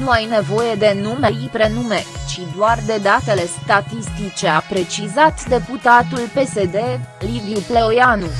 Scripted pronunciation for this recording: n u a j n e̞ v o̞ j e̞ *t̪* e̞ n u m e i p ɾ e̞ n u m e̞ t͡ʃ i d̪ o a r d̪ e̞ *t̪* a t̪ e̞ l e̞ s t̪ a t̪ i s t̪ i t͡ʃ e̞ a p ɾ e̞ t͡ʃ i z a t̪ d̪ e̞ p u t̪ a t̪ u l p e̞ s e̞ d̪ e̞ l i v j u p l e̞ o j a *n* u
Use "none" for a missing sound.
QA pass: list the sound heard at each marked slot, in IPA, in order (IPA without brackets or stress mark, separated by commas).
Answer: d̪, d̪, n